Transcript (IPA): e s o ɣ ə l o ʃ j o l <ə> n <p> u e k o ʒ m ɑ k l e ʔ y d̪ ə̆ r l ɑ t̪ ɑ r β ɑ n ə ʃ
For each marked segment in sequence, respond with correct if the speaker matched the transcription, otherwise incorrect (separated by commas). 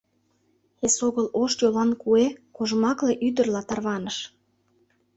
incorrect, incorrect